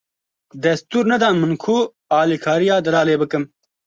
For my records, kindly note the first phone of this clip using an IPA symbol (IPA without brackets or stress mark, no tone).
d̪